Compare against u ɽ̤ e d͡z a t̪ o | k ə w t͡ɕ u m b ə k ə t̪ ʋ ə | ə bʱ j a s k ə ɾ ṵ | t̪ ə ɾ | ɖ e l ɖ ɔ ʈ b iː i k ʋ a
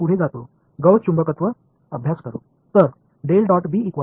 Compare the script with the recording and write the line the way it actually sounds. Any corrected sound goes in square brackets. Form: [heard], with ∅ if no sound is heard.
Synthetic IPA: u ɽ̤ e d͡z a t̪ o | [ɡ] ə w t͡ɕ u m b ə k ə t̪ ʋ ə | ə bʱ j a s k ə ɾ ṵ | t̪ ə ɾ | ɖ e l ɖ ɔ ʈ b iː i k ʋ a